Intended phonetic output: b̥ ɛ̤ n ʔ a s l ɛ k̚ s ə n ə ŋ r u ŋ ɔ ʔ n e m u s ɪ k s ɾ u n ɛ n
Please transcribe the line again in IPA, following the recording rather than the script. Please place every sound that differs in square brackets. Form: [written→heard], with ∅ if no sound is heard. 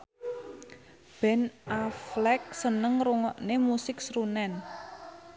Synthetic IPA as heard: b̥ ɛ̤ n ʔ a [s→f] l ɛ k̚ s ə n ə ŋ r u ŋ ɔ ʔ n e m u s ɪ k s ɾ u n ɛ n